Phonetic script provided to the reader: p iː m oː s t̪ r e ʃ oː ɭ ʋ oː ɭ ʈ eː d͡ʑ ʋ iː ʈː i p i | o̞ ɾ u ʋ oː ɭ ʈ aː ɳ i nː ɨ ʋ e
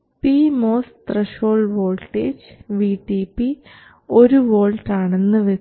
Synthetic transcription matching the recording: p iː m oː s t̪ r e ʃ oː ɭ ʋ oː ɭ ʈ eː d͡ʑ ʋ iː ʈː i p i | o̞ ɾ u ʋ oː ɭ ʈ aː ɳ e nː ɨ ʋ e